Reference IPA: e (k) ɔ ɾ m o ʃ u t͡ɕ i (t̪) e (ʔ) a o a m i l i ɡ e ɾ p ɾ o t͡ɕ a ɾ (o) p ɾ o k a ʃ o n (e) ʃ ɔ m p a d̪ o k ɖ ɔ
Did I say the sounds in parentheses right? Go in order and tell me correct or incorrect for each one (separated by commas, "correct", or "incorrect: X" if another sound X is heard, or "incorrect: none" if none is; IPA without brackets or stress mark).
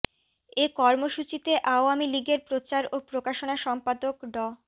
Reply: correct, correct, correct, correct, incorrect: a